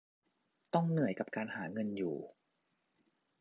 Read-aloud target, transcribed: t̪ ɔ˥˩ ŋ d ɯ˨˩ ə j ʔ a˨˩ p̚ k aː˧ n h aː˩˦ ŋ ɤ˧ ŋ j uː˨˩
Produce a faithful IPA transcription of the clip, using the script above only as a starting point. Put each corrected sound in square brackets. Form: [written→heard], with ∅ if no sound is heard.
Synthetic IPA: t̪ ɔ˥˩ ŋ [d→n] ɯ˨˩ ə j [ʔ→k] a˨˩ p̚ k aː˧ n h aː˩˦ ŋ ɤ˧ [ŋ→n] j uː˨˩

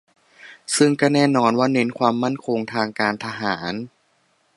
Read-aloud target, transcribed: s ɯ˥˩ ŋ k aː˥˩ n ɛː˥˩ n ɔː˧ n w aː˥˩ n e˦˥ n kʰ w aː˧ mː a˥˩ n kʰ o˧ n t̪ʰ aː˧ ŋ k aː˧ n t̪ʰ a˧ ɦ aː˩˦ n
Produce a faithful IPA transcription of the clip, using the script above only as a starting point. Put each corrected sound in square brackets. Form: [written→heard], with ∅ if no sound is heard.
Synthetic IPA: s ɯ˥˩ ŋ k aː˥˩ n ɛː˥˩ n ɔː˧ n w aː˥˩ n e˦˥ n kʰ w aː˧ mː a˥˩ n kʰ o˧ [n→ŋ] t̪ʰ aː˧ ŋ k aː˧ n t̪ʰ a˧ ɦ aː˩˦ n

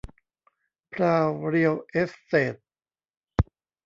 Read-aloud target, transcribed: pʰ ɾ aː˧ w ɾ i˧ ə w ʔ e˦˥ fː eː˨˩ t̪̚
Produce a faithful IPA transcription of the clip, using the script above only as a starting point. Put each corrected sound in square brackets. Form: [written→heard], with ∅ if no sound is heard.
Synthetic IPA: pʰ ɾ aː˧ w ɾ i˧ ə w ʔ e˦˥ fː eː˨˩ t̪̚

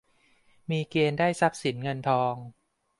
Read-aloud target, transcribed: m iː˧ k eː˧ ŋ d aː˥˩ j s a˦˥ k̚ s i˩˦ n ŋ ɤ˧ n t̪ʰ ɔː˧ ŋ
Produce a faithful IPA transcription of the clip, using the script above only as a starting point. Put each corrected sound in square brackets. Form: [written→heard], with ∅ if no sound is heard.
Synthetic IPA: m iː˧ k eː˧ [ŋ→n] d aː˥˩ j s a˦˥ [k̚→p̚] s i˩˦ n ŋ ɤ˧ n t̪ʰ ɔː˧ ŋ

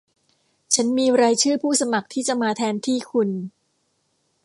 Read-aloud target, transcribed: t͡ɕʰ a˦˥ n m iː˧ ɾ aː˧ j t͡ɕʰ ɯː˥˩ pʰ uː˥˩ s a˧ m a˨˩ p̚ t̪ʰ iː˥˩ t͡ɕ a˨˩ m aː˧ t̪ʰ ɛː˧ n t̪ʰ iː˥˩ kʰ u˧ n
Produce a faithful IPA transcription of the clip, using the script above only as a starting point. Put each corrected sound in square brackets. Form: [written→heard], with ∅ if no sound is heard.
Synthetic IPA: t͡ɕʰ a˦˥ n m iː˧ ɾ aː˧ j t͡ɕʰ ɯː˥˩ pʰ uː˥˩ s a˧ m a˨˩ [p̚→k̚] t̪ʰ iː˥˩ t͡ɕ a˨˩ m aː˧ t̪ʰ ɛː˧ n t̪ʰ iː˥˩ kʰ u˧ n

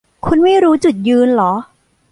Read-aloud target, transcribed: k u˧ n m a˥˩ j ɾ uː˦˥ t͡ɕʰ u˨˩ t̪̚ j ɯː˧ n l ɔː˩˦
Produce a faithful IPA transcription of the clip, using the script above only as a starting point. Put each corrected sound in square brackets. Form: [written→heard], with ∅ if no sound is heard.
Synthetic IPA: [k→kʰ] u˧ n m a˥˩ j ɾ uː˦˥ [t͡ɕʰ→t͡ɕ] u˨˩ t̪̚ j ɯː˧ n l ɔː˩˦

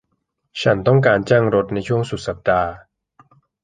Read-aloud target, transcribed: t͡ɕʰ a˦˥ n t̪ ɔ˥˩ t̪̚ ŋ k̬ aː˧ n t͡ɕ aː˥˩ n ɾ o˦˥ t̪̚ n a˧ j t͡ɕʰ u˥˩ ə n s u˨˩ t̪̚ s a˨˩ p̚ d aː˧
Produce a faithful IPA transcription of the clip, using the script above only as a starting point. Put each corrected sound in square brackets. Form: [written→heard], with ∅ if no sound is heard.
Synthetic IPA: t͡ɕʰ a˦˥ n t̪ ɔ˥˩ [t̪̚→∅] ŋ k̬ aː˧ n t͡ɕ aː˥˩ [n→ŋ] ɾ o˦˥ t̪̚ n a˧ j t͡ɕʰ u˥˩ ə [n→ŋ] s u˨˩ t̪̚ s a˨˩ p̚ d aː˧

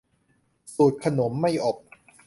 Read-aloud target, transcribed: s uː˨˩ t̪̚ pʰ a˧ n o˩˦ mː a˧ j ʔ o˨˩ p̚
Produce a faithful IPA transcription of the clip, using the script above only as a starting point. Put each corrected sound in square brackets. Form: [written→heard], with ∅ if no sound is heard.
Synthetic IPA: s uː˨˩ t̪̚ [pʰ→kʰ] a˧ n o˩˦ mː [a˧→a˥˩] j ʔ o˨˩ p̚

